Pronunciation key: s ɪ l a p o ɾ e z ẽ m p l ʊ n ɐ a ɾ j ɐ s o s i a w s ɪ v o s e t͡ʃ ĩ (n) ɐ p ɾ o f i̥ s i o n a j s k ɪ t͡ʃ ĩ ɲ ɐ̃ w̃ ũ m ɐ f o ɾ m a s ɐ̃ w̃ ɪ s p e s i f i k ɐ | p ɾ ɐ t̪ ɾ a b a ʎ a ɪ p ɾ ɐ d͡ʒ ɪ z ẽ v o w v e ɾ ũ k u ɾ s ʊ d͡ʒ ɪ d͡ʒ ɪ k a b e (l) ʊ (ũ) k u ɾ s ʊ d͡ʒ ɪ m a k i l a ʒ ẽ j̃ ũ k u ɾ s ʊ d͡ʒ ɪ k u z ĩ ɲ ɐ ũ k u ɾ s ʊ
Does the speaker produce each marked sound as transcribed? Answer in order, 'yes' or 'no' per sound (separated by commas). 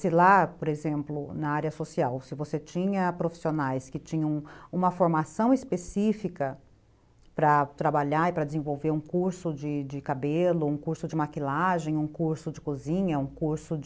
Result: no, yes, yes